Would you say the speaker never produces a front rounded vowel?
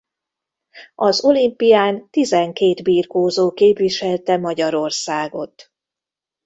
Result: yes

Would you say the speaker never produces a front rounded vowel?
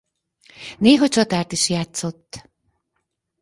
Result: yes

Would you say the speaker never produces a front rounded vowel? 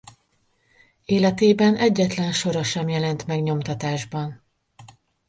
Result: yes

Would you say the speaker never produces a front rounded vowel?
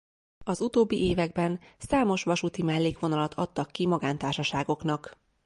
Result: yes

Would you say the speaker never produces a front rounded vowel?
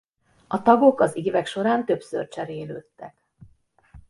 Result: no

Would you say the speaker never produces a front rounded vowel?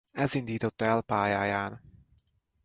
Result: yes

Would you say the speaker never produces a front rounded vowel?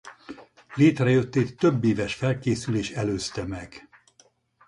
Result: no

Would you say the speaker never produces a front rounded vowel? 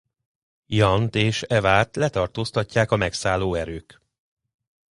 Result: no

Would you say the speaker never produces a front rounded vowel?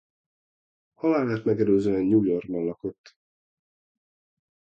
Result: no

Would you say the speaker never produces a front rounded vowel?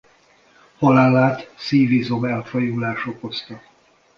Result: yes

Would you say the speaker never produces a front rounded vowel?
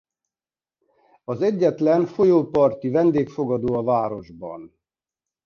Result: yes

